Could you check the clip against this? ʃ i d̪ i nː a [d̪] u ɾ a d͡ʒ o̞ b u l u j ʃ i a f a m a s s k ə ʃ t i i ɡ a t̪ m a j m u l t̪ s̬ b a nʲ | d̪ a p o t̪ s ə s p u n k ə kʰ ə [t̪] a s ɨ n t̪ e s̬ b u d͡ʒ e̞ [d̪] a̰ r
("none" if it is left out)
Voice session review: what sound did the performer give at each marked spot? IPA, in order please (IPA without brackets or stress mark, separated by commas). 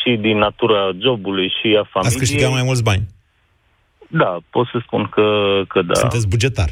t̪, d̪, t̪